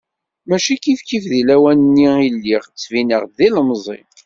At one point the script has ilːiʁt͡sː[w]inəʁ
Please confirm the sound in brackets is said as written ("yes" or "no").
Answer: no